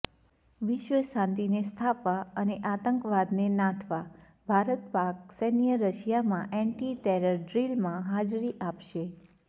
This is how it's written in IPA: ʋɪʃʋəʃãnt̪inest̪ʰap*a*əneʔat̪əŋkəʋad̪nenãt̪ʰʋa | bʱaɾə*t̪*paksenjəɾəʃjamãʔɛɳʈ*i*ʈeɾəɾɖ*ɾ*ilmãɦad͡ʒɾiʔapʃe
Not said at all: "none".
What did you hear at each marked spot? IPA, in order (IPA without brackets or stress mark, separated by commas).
a, t̪, i, ɾ